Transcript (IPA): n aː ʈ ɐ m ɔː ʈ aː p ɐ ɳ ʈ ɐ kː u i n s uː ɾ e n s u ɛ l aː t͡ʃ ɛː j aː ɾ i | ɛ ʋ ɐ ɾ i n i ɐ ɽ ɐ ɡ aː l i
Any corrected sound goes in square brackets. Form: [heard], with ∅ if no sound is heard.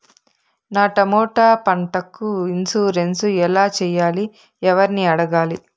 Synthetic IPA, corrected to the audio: n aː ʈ ɐ m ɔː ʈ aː p ɐ ɳ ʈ ɐ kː u i n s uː ɾ e n s u ɛ l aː t͡ʃ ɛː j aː [l] i | ɛ ʋ ɐ ɾ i n i ɐ ɽ ɐ ɡ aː l i